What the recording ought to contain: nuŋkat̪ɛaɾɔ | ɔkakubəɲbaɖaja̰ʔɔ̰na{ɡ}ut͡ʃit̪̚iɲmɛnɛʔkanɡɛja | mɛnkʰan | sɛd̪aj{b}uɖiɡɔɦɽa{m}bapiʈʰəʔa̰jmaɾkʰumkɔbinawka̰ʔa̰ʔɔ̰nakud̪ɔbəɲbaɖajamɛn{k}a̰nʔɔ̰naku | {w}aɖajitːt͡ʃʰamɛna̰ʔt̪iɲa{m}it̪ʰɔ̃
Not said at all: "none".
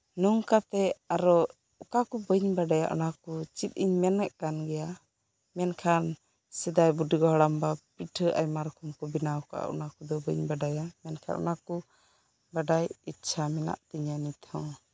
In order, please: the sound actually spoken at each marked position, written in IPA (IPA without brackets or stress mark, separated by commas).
k, b, m, kʰ, b, n